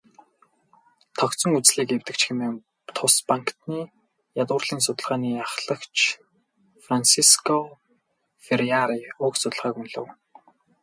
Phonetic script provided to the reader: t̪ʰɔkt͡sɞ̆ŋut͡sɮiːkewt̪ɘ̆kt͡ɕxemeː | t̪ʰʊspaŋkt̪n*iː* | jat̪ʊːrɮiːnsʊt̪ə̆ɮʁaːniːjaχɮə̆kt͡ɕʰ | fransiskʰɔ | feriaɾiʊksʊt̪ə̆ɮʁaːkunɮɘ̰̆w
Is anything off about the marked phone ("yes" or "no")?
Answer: no